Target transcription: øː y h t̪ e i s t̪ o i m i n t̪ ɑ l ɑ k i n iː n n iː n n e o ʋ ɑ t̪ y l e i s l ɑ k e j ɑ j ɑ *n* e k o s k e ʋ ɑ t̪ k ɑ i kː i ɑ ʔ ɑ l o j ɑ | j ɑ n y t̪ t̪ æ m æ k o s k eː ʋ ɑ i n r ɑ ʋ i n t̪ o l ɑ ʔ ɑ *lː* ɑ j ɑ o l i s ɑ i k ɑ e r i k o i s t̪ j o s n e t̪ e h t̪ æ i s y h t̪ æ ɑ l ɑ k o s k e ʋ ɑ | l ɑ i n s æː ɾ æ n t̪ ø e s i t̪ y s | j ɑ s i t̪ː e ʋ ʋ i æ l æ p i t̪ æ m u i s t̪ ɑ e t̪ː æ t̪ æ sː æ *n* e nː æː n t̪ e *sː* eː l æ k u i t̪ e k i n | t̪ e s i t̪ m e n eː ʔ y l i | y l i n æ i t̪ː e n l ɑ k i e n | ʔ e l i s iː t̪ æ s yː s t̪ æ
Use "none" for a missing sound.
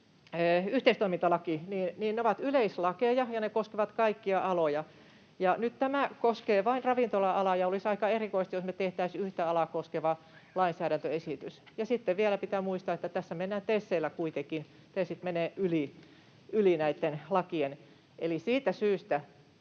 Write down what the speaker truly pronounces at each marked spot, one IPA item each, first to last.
n, l, m, sː

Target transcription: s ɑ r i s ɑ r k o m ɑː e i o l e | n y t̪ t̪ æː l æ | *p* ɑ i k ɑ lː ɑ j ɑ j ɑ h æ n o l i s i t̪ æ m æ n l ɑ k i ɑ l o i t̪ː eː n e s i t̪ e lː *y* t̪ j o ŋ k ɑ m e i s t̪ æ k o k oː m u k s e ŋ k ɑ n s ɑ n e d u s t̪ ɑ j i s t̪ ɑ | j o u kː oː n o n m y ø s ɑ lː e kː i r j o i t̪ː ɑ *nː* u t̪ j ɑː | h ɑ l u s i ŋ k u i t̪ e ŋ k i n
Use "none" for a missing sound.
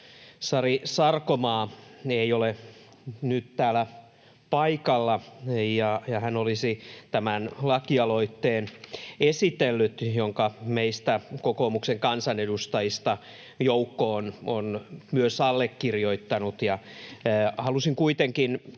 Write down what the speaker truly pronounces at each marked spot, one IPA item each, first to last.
p, y, n

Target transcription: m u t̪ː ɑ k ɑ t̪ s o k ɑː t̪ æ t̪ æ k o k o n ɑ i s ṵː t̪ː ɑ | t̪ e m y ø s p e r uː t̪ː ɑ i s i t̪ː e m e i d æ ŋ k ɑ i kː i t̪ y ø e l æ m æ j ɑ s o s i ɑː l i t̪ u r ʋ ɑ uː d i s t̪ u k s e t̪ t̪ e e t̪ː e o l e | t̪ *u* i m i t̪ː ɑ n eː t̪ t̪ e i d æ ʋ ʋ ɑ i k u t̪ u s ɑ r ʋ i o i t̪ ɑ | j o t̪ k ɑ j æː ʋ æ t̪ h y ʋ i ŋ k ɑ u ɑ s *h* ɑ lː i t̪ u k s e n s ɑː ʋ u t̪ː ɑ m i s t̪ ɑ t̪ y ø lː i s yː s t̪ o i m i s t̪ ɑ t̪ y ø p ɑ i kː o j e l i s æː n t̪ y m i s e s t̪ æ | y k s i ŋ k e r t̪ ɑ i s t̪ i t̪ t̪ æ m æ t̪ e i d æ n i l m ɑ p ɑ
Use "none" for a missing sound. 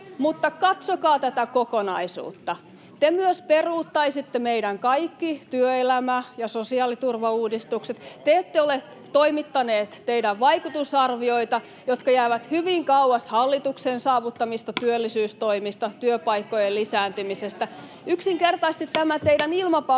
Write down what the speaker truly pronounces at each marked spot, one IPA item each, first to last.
o, h

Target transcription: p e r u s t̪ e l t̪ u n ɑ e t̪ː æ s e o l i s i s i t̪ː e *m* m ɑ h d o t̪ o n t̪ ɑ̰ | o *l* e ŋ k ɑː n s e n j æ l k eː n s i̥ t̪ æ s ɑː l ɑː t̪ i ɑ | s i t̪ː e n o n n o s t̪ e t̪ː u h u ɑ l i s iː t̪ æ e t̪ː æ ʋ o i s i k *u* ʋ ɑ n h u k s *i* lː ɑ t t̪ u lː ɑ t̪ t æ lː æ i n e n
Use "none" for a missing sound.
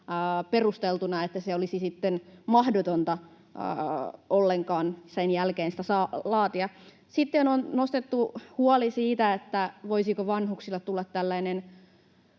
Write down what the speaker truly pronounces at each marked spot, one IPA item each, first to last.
n, lː, o, i

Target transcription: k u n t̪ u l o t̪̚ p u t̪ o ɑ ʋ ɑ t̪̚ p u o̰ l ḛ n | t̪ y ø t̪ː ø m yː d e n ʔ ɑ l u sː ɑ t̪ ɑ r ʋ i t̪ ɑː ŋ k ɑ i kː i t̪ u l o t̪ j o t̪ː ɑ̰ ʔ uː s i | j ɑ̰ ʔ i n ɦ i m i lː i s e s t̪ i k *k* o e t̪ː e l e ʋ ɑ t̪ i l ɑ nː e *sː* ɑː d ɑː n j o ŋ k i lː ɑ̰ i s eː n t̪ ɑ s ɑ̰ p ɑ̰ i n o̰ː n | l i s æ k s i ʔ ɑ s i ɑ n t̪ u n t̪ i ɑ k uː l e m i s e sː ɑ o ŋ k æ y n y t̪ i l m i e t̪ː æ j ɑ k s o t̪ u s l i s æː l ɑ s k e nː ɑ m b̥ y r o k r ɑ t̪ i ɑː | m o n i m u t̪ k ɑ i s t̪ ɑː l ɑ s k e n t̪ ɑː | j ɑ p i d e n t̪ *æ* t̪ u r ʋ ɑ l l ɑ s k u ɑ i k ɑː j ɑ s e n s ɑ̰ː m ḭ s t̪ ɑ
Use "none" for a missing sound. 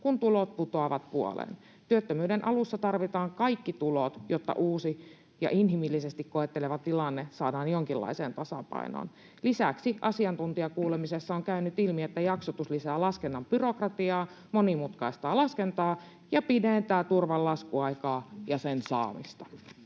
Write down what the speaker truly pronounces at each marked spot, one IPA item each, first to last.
k, s, æː

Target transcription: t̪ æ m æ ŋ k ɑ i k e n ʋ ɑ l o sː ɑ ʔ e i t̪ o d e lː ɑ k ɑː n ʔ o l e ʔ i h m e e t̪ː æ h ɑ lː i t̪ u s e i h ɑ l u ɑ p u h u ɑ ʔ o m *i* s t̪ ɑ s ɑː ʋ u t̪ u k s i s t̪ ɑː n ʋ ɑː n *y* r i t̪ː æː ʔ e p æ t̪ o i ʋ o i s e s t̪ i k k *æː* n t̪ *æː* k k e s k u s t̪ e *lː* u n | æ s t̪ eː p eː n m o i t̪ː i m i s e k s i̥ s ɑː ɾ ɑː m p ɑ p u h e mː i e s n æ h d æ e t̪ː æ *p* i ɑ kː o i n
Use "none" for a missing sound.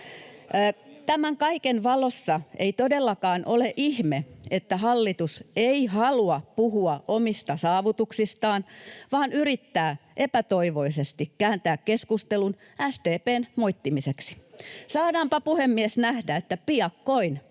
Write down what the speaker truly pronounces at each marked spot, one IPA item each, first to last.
i, y, æː, æː, l, p

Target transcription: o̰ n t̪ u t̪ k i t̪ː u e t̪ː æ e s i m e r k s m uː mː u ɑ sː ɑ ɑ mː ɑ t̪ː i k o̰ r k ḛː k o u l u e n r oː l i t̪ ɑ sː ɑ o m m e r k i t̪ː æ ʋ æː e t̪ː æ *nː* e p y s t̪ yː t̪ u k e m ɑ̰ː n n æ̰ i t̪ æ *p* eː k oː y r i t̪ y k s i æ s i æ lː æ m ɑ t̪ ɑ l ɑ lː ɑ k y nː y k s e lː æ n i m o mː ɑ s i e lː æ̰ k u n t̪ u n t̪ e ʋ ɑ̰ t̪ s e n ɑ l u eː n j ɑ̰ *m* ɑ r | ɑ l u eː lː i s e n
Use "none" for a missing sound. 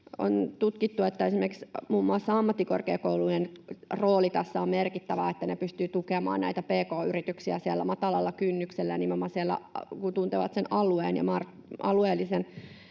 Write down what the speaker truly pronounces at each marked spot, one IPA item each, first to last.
n, p, m

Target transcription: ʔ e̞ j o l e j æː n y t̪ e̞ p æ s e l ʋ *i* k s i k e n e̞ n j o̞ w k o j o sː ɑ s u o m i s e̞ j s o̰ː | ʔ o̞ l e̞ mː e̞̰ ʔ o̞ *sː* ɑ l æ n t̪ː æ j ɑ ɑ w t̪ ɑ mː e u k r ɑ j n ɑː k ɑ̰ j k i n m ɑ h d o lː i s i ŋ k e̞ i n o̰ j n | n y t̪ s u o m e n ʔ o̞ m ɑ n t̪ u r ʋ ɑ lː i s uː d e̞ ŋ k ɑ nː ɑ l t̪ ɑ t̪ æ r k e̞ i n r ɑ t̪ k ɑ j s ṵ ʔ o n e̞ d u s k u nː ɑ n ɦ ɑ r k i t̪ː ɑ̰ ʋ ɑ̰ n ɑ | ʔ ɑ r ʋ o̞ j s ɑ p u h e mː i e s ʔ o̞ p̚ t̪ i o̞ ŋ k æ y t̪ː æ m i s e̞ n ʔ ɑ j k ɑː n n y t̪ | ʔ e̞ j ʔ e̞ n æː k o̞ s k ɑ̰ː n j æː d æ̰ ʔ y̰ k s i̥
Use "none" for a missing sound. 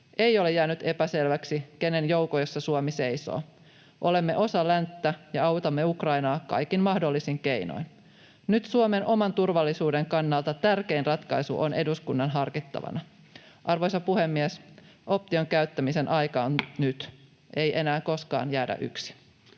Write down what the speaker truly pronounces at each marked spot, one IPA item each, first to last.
æ, s

